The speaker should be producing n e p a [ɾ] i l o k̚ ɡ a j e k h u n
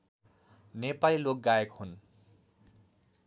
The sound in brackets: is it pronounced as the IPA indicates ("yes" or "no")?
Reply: no